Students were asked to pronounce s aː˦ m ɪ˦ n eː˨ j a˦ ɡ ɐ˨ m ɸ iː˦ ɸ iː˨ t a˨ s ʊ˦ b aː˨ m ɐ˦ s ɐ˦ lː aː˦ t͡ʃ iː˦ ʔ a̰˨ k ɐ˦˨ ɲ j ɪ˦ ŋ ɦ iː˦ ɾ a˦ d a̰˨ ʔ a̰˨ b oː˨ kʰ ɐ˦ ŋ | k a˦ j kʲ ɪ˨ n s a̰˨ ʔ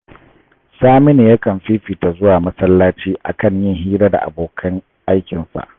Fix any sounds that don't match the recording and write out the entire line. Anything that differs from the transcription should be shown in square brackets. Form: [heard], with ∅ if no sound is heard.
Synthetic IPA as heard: s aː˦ m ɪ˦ n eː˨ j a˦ [k] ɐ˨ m ɸ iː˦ ɸ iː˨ t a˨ [z] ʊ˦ [w] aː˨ m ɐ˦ s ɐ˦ lː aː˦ t͡ʃ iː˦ ʔ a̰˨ k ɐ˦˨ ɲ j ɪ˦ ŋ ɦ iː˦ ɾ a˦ d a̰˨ ʔ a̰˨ b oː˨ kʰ ɐ˦ ŋ | [ʔ] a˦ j kʲ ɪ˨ n s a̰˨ ʔ